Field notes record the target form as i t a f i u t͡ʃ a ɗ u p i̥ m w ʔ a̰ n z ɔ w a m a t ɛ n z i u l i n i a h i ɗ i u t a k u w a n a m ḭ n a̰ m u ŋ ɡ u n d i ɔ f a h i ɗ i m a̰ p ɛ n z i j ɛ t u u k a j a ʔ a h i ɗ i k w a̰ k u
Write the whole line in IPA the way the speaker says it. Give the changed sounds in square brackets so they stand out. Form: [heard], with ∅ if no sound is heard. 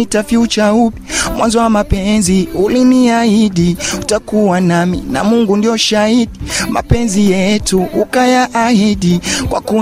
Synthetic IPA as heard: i t a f i u t͡ʃ a [∅] u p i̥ m w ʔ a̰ n z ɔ w a m a [p] ɛ n z i u l i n i a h i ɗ i u t a k u w a n a m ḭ n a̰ m u ŋ ɡ u n d i ɔ [ʃ] a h i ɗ i m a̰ p ɛ n z i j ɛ t u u k a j a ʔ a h i ɗ i k w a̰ k u